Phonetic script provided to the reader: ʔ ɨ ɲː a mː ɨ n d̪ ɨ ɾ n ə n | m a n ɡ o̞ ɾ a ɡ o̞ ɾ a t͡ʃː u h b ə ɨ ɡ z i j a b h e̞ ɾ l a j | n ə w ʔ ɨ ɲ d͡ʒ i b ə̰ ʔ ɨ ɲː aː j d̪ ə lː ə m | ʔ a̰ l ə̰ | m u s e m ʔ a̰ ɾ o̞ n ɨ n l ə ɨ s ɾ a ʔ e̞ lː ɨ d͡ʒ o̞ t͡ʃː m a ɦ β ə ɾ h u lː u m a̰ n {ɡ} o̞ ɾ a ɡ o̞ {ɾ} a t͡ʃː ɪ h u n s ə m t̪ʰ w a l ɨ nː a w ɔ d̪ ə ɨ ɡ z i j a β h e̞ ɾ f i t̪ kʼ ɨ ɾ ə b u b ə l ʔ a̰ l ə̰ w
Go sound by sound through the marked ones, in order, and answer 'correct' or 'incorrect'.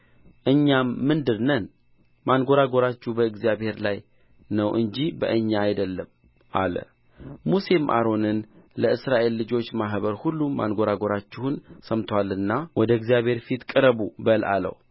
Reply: correct, correct

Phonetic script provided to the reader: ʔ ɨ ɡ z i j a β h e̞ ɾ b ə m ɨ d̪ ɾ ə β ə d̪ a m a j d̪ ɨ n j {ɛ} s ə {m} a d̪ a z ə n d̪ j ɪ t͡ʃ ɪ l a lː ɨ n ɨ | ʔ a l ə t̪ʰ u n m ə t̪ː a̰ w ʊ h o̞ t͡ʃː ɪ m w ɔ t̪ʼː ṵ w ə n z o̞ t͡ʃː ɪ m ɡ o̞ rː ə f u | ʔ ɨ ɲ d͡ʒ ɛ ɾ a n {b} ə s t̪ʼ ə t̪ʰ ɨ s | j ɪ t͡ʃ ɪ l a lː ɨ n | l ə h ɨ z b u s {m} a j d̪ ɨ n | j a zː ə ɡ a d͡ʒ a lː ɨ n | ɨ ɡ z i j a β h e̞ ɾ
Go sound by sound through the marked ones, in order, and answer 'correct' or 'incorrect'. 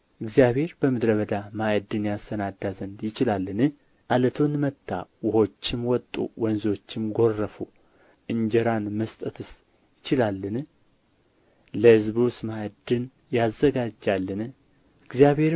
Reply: incorrect: a, incorrect: n, incorrect: m, correct

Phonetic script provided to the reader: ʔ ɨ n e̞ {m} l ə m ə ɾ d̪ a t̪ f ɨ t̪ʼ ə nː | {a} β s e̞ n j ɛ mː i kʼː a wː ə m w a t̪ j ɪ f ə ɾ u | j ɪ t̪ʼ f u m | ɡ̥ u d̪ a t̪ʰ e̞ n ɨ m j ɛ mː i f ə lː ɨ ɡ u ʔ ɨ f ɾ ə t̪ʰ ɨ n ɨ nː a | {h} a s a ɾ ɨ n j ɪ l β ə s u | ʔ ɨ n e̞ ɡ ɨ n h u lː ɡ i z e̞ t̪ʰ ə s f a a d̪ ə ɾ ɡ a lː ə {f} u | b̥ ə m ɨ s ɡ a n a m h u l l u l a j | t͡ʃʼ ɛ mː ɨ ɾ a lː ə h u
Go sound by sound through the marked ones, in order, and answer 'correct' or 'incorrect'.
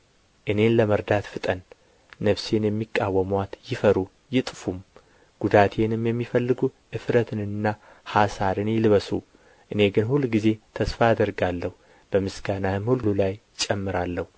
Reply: incorrect: n, incorrect: ə, correct, incorrect: h

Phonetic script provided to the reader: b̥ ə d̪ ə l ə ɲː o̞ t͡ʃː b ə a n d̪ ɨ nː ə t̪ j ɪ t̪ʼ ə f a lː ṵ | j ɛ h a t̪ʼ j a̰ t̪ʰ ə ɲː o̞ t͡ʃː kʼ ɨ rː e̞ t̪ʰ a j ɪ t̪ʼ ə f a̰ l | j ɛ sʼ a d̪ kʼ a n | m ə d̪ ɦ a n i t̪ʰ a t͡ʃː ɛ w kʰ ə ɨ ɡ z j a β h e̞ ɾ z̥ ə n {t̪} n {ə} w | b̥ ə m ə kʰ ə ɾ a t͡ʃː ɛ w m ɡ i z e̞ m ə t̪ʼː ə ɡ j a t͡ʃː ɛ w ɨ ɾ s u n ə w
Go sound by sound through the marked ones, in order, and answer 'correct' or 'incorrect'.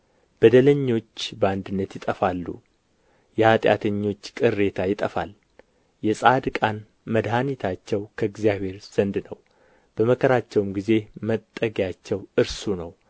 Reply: incorrect: d̪, correct

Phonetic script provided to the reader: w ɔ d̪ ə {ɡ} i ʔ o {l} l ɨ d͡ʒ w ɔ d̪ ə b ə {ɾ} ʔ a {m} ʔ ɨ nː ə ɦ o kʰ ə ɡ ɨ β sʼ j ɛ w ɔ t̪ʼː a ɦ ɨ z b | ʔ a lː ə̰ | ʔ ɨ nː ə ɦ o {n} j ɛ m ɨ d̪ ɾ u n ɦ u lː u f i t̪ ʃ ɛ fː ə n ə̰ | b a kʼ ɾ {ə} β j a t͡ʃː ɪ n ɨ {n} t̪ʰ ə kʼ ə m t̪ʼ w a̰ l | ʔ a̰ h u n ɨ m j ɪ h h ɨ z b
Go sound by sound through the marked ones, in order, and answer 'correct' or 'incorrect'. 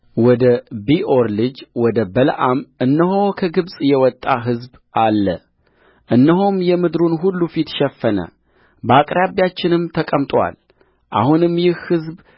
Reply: incorrect: b, incorrect: ɾ, incorrect: l, correct, incorrect: m, incorrect: a, incorrect: m

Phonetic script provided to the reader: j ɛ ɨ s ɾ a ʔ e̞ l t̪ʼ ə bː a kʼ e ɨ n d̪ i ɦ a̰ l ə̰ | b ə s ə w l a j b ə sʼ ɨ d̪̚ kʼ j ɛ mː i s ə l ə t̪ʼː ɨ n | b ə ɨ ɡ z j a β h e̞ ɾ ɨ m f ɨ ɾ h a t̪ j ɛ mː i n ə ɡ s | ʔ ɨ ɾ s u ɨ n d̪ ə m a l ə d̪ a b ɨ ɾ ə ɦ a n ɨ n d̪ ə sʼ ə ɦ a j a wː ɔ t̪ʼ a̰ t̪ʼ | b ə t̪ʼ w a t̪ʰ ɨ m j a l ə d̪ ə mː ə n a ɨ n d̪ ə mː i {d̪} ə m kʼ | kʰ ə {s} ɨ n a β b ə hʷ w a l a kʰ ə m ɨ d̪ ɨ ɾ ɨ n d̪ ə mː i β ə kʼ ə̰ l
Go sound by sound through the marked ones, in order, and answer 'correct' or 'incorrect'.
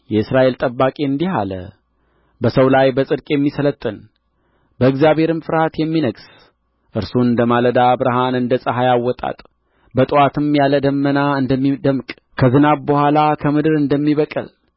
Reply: correct, incorrect: z

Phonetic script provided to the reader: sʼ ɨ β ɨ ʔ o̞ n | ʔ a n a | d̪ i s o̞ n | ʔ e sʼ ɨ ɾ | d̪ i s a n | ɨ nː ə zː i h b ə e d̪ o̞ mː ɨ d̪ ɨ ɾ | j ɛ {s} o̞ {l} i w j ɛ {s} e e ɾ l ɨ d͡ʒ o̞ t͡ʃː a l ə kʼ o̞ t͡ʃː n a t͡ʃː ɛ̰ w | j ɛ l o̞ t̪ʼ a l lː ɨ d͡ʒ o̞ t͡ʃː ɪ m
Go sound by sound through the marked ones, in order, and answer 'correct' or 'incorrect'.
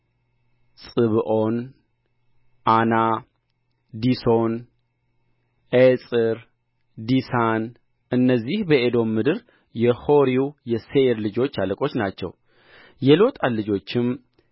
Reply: incorrect: h, incorrect: ɾ, correct

